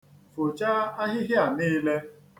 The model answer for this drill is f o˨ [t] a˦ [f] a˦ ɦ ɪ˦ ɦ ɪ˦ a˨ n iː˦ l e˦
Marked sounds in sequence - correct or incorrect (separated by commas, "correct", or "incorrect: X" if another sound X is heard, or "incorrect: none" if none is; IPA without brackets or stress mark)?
incorrect: t͡ʃ, incorrect: none